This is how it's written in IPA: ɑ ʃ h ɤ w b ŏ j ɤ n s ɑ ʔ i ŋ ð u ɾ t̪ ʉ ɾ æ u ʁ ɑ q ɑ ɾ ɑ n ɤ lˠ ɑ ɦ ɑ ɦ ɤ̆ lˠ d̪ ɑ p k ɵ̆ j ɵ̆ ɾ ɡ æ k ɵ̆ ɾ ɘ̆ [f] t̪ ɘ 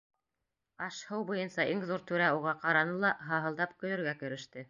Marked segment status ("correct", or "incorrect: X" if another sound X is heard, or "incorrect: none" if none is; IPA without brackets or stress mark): incorrect: ʃ